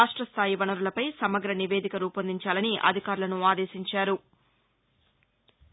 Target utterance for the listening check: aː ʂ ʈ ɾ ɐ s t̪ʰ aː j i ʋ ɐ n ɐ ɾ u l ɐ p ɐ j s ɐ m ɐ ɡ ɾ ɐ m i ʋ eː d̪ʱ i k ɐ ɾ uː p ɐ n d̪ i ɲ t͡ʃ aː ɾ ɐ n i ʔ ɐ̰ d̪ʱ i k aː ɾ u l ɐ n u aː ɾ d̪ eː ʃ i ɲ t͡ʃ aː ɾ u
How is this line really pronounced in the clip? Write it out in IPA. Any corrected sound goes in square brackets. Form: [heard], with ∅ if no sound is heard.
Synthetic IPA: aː ʂ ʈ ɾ ɐ s t̪ʰ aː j i ʋ ɐ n ɐ ɾ u l ɐ p ɐ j s ɐ m ɐ ɡ ɾ ɐ [n] i ʋ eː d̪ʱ i k ɐ ɾ uː p ɐ n d̪ i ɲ t͡ʃ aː [l] ɐ n i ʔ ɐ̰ d̪ʱ i k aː ɾ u l ɐ n u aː [∅] d̪ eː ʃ i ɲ t͡ʃ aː ɾ u